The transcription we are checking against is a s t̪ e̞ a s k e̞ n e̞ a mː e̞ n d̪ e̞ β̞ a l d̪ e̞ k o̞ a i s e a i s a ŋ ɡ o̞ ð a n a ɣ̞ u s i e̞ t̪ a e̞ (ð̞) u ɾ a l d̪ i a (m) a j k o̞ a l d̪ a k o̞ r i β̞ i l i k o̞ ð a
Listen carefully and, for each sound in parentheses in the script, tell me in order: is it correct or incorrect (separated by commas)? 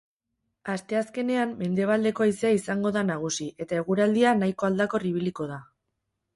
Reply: incorrect, incorrect